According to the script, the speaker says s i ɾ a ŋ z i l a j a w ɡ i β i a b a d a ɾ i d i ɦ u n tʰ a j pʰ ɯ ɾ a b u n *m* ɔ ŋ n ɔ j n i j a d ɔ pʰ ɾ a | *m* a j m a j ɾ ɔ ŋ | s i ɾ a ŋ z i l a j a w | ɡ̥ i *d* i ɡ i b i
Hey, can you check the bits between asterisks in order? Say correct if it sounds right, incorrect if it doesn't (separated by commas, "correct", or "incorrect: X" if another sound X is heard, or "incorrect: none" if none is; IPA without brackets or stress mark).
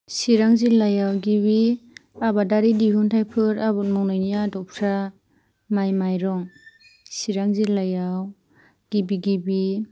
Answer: correct, correct, incorrect: b